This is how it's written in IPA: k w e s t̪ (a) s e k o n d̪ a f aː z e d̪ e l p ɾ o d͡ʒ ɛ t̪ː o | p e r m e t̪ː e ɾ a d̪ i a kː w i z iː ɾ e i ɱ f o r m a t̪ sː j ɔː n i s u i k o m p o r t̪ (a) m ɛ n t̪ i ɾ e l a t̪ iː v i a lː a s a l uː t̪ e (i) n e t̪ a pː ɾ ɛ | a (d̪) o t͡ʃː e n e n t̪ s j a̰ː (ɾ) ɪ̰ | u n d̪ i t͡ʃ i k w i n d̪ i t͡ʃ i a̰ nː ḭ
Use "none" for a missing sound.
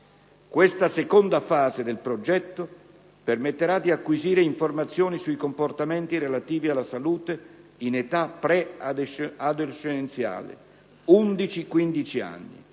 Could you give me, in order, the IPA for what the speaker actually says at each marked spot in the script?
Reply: a, a, i, d̪, l

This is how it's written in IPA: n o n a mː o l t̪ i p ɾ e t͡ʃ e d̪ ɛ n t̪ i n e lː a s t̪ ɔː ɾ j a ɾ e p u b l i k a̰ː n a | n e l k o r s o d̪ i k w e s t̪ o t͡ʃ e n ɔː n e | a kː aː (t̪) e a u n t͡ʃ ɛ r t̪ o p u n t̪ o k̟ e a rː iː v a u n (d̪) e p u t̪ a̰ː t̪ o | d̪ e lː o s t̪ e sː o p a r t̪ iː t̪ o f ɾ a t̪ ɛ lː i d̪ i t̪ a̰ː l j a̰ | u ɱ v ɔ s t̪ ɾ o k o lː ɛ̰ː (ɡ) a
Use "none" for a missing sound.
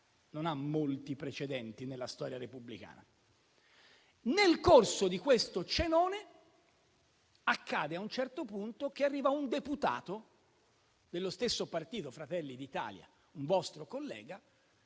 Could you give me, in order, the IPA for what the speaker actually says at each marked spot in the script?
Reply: d̪, d̪, ɡ

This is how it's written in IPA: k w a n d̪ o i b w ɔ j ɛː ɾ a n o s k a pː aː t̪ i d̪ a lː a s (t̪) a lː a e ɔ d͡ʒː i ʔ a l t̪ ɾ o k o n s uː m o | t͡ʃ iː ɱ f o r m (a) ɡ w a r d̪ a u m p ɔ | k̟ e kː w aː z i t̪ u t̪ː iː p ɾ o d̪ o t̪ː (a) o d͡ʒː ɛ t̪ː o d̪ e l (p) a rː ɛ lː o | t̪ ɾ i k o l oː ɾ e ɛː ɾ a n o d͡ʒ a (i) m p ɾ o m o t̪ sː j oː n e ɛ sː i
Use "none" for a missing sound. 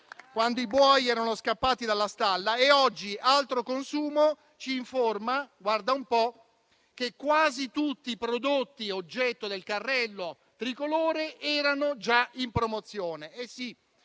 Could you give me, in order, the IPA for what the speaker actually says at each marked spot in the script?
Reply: t̪, a, i, k, i

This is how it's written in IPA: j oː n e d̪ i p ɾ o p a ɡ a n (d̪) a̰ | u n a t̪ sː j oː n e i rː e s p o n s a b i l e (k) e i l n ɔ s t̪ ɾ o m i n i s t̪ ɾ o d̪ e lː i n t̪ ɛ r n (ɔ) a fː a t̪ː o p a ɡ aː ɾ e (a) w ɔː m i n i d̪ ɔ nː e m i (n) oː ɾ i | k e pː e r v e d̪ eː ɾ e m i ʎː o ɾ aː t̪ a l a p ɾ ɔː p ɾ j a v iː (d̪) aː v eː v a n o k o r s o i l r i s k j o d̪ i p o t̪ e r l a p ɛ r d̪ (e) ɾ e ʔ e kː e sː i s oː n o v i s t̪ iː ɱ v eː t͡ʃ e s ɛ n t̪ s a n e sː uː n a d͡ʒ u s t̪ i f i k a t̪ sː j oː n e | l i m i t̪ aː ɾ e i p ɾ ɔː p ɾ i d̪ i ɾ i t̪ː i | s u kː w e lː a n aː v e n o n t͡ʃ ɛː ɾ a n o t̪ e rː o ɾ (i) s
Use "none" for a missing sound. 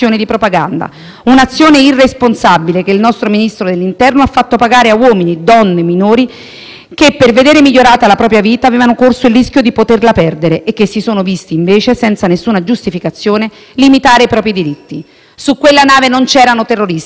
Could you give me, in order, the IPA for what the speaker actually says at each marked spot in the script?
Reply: d̪, k, o, a, n, t̪, e, i

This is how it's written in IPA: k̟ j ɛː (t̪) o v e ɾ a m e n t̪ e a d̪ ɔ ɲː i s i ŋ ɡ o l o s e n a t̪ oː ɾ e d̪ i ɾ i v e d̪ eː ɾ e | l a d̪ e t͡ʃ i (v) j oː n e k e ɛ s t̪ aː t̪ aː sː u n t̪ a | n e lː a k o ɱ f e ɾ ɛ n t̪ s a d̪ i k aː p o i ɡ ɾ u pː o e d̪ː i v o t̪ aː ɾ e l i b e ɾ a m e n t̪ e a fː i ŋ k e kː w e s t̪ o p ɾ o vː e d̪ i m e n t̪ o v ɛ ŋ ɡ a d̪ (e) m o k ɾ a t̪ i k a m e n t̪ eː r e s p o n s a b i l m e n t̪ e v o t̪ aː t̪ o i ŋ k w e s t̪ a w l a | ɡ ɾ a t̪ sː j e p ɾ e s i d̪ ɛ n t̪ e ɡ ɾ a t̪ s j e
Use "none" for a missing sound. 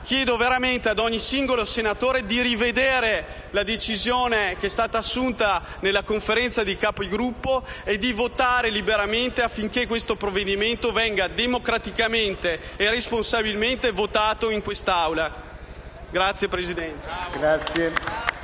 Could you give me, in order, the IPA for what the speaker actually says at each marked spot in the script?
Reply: d̪, z, e

